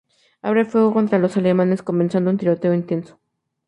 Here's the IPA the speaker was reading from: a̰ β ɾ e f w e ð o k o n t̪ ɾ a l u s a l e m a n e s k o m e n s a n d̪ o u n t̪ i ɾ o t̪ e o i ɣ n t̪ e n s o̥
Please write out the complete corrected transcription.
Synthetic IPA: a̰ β ɾ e f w e ɣ o k o n t̪ ɾ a l o s a l e m a n e s k o m e n s a n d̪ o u n t̪ i ɾ o t̪ e o i n t̪ e n s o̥